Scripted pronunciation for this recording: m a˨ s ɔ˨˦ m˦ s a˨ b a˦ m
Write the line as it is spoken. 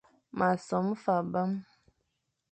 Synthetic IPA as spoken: m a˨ s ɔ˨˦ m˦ f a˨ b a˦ m